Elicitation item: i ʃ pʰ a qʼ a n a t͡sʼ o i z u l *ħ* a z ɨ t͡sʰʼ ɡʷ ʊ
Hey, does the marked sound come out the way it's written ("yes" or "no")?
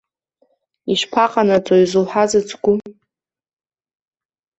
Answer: yes